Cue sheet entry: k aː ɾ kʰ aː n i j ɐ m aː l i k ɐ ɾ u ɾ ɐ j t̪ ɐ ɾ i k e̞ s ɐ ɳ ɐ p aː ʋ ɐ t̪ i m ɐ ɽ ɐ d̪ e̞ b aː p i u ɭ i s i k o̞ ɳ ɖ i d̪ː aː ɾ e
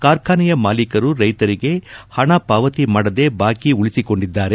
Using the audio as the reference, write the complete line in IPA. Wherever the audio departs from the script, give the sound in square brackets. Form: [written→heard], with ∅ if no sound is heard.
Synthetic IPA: k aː ɾ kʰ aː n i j ɐ m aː l i k ɐ ɾ u ɾ ɐ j t̪ ɐ ɾ i [k→ɡ] e̞ [s→h] ɐ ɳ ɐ p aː ʋ ɐ t̪ i m ɐ ɽ ɐ d̪ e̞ b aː [p→k] i u ɭ i s i k o̞ ɳ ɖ i d̪ː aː ɾ e